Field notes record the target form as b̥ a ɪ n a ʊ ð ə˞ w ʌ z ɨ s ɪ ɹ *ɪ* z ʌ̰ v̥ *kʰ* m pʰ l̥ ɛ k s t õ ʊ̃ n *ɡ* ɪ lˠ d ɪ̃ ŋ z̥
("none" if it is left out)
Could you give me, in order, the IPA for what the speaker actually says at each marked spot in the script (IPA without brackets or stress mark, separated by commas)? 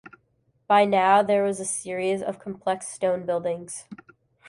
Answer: i, kʰ, b